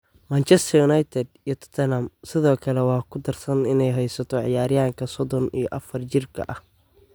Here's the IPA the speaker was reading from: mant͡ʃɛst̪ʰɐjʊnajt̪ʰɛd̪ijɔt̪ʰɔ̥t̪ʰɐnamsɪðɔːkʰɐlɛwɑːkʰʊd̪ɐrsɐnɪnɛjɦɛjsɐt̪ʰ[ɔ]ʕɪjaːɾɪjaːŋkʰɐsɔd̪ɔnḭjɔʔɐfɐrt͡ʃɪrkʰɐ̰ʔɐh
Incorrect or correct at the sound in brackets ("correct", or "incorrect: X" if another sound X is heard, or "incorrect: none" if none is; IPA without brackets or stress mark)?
correct